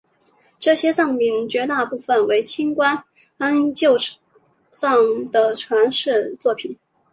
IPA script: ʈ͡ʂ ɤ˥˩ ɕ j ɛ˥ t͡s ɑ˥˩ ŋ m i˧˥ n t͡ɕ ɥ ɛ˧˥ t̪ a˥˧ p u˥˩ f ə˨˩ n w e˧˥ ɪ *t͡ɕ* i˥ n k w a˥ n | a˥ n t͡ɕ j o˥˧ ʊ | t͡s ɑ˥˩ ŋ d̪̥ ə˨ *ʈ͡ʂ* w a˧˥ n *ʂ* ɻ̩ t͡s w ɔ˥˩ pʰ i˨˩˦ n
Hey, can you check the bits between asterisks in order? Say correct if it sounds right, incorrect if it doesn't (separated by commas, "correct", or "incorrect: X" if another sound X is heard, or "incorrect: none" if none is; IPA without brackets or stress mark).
incorrect: t͡ɕʰ, incorrect: ʈ͡ʂʰ, correct